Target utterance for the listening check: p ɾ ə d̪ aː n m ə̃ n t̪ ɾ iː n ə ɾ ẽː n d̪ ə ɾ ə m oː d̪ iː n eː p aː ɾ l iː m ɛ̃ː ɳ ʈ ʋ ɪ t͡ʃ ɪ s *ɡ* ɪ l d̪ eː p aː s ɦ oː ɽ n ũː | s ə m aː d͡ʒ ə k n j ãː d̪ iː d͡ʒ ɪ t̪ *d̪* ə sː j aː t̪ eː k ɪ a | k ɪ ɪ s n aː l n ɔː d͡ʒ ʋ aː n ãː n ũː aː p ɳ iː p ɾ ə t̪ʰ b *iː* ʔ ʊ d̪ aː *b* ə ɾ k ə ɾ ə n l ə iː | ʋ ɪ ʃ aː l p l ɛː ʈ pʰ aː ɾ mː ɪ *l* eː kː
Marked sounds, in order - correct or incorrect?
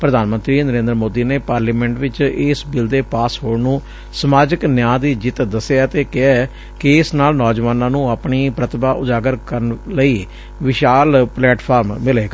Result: incorrect: b, correct, incorrect: aː, incorrect: ɡ, correct

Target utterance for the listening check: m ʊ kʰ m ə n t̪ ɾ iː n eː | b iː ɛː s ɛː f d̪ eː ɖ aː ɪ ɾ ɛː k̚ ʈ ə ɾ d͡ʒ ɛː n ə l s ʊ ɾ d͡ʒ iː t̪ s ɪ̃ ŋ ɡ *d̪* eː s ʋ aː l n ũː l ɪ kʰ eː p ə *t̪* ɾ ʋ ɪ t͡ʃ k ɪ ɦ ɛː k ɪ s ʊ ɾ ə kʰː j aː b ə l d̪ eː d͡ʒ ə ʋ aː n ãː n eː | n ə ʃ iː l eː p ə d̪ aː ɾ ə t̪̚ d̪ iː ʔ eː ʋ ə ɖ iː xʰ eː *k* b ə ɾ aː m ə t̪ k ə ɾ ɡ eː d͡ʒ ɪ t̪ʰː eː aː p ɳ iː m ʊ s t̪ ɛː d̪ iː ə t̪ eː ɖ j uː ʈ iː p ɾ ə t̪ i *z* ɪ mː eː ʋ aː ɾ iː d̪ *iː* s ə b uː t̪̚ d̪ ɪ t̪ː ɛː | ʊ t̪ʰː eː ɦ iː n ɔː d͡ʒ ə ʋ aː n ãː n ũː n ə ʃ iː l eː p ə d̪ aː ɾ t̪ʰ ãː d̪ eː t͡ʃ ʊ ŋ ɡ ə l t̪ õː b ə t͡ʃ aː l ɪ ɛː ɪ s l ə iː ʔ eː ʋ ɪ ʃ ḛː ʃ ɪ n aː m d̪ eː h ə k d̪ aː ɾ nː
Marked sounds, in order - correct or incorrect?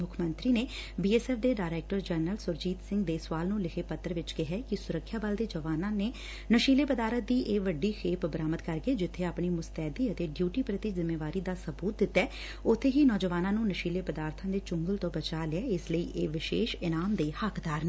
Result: correct, correct, incorrect: p, correct, incorrect: aː

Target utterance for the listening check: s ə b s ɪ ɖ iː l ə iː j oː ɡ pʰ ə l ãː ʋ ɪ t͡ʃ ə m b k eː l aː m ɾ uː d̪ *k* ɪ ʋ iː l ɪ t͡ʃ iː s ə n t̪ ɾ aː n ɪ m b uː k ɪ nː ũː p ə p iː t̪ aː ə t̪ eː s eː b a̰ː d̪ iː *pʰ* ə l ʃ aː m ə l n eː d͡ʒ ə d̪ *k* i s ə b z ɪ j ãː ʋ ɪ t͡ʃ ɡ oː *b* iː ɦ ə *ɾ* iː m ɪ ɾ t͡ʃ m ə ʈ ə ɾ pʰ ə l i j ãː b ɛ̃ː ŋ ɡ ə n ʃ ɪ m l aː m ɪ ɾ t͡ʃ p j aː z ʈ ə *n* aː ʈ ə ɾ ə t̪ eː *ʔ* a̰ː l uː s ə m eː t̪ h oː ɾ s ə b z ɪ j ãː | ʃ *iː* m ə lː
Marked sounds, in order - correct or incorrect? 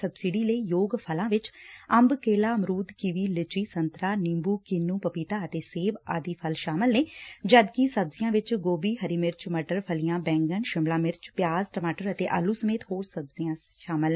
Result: correct, correct, correct, correct, correct, incorrect: m, correct, incorrect: aː

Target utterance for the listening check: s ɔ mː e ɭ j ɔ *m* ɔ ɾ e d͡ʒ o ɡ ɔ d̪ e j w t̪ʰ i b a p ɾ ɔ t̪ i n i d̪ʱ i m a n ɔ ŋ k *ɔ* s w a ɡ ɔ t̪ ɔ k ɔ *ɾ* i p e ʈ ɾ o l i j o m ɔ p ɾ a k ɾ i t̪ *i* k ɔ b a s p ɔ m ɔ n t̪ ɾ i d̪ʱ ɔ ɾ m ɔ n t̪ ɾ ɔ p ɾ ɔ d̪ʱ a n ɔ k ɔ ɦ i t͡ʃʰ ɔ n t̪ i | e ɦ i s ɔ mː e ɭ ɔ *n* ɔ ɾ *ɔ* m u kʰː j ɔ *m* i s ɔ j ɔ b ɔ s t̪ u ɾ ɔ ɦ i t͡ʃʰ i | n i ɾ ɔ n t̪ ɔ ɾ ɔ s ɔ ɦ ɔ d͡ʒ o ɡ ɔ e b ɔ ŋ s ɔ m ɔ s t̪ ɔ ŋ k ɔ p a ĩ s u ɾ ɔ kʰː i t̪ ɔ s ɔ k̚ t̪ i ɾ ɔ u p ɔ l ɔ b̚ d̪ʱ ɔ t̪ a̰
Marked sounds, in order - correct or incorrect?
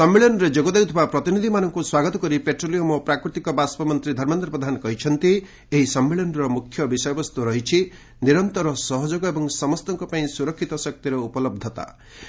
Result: incorrect: n, incorrect: u, correct, correct, correct, correct, incorrect: b

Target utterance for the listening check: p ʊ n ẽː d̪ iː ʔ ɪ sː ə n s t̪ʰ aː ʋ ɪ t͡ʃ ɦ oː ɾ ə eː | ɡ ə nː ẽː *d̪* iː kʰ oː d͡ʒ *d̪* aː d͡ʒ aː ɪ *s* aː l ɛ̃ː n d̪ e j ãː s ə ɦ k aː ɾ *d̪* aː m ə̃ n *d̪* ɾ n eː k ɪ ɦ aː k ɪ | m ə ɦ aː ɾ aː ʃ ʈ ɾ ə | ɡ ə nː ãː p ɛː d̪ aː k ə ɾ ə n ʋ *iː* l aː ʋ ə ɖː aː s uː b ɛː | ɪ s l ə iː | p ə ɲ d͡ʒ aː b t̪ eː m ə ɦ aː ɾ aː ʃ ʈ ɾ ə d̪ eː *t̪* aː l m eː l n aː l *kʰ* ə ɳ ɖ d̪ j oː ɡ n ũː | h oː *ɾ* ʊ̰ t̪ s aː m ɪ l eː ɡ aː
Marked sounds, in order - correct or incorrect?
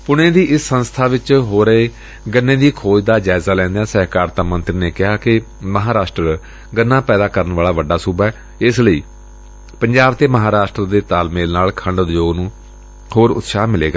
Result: correct, correct, incorrect: z, incorrect: t̪, incorrect: t̪, incorrect: aː, correct, correct, correct

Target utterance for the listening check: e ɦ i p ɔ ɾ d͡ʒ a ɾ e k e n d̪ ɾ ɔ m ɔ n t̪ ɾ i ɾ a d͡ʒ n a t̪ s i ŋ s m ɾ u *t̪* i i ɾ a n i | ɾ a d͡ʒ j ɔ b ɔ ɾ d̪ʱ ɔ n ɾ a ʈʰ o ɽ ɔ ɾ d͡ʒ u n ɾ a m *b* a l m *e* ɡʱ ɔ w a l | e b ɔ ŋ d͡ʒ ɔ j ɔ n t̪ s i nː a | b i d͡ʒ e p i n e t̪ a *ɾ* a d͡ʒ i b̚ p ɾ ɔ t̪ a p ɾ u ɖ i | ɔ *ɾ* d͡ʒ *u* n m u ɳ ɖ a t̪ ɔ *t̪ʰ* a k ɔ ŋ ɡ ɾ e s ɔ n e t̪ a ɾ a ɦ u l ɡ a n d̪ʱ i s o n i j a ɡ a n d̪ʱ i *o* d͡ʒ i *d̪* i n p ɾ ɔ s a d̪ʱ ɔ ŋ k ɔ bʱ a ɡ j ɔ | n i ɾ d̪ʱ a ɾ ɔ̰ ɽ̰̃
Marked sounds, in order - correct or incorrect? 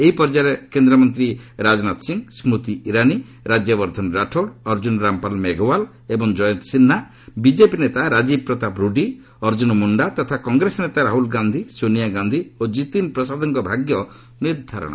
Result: correct, incorrect: p, correct, correct, correct, correct, correct, correct, incorrect: t̪

